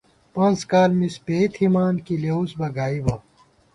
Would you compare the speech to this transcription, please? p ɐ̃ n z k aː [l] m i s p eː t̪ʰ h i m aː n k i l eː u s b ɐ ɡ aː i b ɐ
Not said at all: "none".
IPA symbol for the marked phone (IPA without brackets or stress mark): l